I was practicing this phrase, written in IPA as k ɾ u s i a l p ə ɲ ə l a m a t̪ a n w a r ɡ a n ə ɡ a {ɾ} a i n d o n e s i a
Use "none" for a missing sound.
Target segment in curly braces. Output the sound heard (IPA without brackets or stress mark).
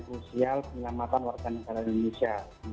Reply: l